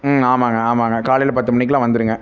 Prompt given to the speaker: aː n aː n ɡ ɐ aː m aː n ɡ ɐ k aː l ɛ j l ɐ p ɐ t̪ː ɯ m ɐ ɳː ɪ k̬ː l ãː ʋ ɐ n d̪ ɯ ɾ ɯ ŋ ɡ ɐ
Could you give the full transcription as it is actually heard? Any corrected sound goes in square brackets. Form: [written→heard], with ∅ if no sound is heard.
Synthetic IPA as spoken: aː [n→m] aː [n→ŋ] ɡ ɐ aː m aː [n→ŋ] ɡ ɐ k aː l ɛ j l ɐ p ɐ t̪ː ɯ m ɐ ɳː ɪ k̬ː l ãː ʋ ɐ n d̪ ɯ ɾ ɯ ŋ ɡ ɐ